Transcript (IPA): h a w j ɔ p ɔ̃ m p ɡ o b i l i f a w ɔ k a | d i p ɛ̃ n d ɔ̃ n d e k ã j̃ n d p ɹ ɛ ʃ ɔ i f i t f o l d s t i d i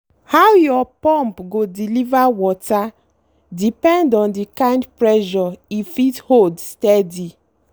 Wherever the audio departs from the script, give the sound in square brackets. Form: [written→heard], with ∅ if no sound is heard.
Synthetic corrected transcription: h a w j ɔ p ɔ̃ m p ɡ o [b→d] i l i [f→v] a w ɔ [k→t] a | d i p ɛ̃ n d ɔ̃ n d [e→i] k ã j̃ n d p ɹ ɛ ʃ ɔ i f i t [f→h] o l d s t [i→ɛ] d i